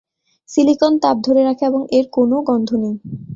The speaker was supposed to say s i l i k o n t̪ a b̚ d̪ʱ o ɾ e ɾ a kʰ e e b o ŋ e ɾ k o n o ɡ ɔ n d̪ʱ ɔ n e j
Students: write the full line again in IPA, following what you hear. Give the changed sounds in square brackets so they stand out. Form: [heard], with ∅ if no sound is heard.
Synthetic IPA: s i l i k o n t̪ a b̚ d̪ʱ o ɾ e ɾ a kʰ e e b o ŋ e ɾ k o n o ɡ ɔ n d̪ʱ [o] n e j